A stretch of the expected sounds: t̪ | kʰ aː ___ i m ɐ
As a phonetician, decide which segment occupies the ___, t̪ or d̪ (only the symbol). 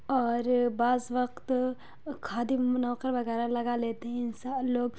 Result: d̪